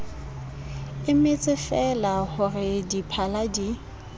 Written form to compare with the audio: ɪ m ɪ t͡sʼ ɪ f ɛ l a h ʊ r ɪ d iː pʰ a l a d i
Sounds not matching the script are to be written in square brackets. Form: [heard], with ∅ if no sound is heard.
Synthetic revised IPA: ɪ m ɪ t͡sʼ ɪ f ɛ l a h ʊ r ɪ d [i] pʰ a l a d i